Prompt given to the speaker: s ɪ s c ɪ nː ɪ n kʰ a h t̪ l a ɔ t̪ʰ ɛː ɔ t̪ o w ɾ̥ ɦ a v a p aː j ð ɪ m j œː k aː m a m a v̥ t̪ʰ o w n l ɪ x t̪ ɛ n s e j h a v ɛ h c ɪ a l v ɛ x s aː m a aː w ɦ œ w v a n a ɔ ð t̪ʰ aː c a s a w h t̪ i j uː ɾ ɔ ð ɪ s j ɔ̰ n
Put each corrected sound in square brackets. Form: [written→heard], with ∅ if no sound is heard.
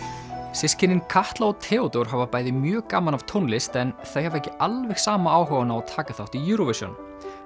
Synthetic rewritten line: s ɪ s c ɪ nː ɪ n kʰ a h t̪ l a ɔ t̪ʰ ɛː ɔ t̪ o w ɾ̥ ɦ a v a p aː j ð ɪ m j œː k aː m a [m→n] a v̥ t̪ʰ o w n l ɪ [x→s] t̪ ɛ n [s→θ] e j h a v ɛ h c ɪ a l v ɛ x s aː m a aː w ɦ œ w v a n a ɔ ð t̪ʰ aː [c→k] a [s→θ] a w h t̪ i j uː ɾ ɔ [ð→v] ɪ s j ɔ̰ n